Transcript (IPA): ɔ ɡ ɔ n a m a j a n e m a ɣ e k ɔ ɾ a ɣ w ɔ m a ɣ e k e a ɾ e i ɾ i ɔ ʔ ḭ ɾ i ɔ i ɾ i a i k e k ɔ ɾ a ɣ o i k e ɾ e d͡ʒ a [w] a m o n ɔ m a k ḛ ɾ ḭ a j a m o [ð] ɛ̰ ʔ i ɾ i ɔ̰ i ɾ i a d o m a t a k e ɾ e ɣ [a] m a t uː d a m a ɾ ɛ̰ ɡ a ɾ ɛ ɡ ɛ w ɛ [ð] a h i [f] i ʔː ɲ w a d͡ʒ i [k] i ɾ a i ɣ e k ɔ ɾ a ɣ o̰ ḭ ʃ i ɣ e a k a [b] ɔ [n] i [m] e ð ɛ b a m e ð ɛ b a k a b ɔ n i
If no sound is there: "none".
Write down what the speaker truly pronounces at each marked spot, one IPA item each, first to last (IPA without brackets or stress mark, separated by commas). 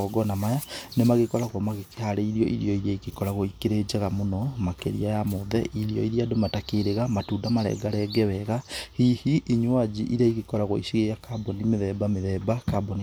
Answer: ɣ, ð, a, ɣ, h, ʔ, b, n, m